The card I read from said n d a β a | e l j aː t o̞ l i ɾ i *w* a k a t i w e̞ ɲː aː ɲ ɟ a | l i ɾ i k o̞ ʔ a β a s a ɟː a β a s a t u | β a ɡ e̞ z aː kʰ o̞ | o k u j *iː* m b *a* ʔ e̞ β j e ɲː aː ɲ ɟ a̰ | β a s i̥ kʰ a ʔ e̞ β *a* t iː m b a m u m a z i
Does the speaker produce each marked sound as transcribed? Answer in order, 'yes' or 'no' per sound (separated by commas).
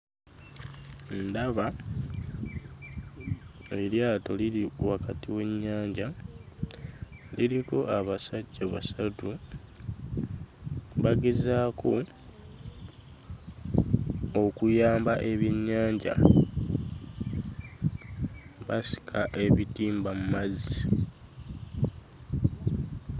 yes, no, yes, no